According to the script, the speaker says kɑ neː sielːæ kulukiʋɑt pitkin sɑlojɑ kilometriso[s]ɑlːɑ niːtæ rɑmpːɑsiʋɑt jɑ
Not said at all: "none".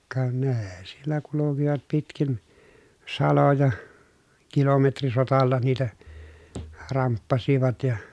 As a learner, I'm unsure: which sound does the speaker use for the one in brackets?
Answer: t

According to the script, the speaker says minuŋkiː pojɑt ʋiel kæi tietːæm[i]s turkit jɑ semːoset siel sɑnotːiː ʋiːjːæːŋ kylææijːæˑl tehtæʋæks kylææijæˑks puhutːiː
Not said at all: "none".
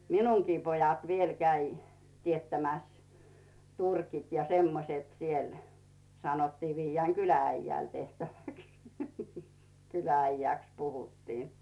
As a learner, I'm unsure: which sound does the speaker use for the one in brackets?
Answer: æ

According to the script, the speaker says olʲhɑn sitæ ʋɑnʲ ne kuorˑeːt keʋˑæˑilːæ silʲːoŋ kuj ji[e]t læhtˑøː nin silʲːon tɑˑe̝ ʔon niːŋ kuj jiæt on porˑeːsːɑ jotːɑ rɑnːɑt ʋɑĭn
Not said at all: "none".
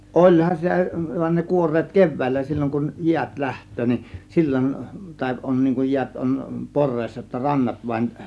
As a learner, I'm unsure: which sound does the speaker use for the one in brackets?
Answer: æ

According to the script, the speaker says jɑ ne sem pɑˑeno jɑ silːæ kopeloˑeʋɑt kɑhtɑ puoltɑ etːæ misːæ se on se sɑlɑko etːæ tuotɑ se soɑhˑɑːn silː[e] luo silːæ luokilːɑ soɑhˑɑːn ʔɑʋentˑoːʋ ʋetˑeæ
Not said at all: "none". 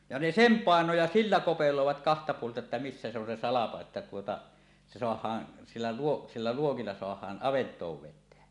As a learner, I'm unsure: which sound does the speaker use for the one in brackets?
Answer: æ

